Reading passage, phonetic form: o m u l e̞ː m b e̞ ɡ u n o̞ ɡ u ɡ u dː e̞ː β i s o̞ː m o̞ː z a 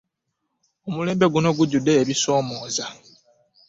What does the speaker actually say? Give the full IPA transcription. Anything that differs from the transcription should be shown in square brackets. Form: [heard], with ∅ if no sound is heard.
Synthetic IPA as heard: o m u l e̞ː m b e̞ ɡ u n o̞ ɡ u [ɟ] u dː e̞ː β i s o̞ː m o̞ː z a